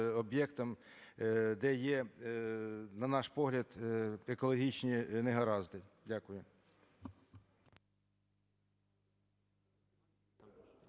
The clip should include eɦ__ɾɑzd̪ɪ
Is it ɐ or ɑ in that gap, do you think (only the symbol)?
ɐ